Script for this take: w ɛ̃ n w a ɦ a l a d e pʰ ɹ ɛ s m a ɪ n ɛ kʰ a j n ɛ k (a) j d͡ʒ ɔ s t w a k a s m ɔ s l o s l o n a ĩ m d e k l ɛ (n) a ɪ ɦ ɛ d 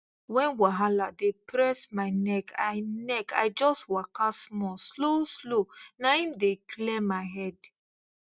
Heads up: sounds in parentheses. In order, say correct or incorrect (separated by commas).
correct, incorrect